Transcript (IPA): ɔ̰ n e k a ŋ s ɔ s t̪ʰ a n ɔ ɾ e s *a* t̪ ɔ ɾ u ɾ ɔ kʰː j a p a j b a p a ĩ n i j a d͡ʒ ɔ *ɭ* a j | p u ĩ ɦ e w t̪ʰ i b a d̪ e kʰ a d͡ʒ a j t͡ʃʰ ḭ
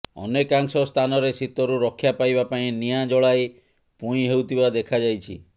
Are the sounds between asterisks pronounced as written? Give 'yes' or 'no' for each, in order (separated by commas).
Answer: no, yes